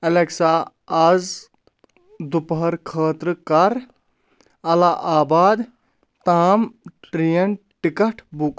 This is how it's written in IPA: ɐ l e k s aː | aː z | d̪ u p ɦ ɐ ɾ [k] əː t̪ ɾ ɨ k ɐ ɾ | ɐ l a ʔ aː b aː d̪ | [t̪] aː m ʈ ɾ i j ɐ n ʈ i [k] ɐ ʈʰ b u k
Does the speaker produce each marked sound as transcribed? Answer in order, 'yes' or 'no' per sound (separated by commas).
no, yes, yes